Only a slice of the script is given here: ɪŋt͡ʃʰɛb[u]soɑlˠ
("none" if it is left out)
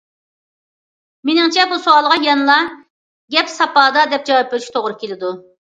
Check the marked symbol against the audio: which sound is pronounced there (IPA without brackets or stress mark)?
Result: u